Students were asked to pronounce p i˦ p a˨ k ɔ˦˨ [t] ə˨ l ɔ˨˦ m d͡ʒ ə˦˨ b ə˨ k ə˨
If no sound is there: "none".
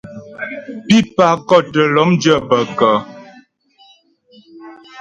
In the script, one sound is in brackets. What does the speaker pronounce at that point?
t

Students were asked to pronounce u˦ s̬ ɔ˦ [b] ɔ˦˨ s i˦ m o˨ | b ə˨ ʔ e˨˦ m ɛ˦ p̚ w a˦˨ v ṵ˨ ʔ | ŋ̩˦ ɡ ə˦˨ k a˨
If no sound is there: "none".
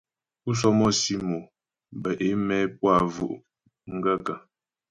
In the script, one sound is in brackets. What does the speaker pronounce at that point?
m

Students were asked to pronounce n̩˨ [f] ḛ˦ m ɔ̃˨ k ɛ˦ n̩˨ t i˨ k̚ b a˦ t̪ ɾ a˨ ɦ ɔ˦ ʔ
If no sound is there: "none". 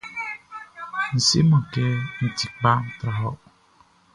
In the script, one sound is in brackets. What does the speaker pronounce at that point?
s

